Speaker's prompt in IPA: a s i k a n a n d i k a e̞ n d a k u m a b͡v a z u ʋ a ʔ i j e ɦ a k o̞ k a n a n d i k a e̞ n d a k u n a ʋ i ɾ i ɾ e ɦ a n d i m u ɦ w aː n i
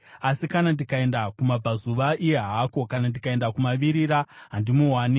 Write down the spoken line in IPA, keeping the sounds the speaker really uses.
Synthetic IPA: a s i k a n a n d i k a e̞ n d a k u m a b͡v a z u ʋ a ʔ i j e ɦ a k o̞ k a n a n d i k a e̞ n d a k u m a ʋ i ɾ i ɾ a ɦ a n d i m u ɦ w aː n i